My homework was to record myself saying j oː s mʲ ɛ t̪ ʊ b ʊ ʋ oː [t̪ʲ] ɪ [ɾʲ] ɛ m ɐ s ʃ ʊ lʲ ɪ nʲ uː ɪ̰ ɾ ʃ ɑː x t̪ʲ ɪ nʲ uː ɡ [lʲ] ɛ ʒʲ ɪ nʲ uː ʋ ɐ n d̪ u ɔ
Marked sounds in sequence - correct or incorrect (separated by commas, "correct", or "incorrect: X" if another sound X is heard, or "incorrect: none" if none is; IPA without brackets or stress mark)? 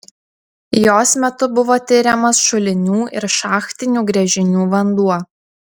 correct, correct, incorrect: ɾʲ